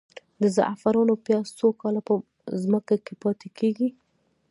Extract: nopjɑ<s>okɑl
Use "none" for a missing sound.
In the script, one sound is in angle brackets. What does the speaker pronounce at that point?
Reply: s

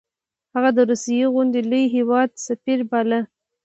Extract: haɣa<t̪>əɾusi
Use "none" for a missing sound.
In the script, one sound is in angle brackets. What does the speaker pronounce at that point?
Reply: d̪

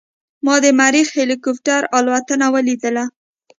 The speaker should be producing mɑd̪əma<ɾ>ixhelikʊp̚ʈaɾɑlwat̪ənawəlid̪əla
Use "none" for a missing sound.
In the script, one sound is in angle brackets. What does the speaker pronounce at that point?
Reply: ɾ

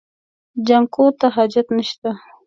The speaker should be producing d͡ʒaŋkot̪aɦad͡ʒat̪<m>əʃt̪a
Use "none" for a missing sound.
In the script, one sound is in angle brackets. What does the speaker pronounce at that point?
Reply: n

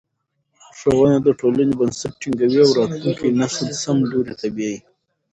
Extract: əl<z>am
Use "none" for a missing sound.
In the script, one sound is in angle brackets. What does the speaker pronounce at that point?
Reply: s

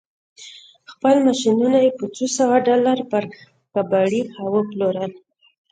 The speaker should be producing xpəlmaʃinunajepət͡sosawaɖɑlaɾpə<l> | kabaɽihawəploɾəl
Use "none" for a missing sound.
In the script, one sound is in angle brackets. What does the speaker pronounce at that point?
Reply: ɾ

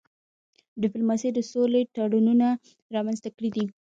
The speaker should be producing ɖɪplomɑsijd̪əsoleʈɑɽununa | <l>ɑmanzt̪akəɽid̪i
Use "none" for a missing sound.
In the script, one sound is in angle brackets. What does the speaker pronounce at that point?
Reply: ɾ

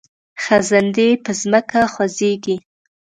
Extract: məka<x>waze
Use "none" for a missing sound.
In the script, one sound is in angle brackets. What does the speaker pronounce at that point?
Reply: x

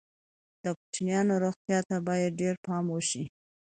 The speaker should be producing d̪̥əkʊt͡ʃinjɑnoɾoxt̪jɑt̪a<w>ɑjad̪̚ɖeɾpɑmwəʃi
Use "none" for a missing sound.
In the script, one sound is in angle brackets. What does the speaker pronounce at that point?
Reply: b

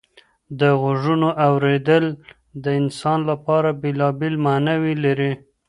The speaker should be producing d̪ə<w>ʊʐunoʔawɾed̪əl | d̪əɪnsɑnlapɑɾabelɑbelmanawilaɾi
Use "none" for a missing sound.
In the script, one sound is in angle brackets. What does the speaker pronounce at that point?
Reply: ɣ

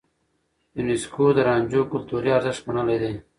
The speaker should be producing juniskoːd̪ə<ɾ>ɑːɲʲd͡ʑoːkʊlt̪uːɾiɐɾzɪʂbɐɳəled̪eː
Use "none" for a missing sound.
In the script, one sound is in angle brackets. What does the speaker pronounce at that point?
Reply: ɾ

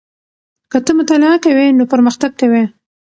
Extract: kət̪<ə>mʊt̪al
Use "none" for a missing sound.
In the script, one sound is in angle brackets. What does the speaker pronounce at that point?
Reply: ə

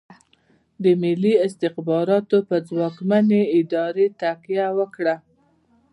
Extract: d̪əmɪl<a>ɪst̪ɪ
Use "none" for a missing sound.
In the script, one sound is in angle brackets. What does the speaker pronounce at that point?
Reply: i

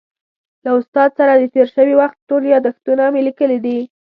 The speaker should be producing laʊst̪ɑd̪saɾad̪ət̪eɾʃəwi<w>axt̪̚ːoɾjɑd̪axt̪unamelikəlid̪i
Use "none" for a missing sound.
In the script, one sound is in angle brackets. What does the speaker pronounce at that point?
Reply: w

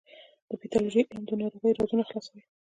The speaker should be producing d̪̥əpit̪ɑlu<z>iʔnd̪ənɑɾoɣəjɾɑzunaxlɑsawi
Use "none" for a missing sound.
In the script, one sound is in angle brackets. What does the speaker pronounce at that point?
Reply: ʒ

